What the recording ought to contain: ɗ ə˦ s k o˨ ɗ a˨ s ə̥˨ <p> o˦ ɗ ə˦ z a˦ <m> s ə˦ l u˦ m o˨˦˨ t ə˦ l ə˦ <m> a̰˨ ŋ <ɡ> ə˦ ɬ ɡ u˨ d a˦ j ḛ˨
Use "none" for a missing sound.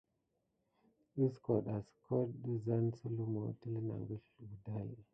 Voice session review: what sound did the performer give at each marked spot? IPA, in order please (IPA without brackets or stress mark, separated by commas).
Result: k, n, n, ɡ